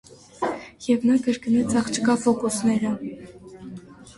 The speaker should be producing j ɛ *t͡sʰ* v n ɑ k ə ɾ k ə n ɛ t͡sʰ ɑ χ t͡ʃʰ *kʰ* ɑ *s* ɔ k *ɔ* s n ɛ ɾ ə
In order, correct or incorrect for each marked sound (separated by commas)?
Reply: incorrect, incorrect, incorrect, incorrect